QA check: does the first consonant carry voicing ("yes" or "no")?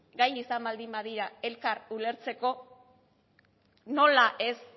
yes